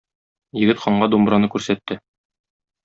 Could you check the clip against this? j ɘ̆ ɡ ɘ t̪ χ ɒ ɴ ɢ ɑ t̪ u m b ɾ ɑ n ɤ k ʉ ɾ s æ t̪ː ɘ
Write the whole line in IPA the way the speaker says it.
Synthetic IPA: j ɘ̆ ɡ ɘ t̪ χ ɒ ɴ ɢ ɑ d̪ u m b ɾ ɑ n ɤ k ʉ ɾ s æ t̪ː ɘ